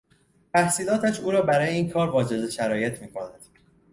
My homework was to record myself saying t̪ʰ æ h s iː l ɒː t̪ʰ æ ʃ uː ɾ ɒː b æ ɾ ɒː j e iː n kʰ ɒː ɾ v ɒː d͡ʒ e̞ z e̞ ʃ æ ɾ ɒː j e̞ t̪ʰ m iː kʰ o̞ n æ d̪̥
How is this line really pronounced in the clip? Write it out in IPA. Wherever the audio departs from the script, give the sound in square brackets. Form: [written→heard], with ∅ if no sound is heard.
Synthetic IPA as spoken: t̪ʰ æ h s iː l ɒː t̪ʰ æ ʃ uː ɾ ɒː b æ ɾ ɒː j e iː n kʰ ɒː ɾ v ɒː d͡ʒ e̞ z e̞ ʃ æ ɾ ɒː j e̞ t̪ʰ m iː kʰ o̞ n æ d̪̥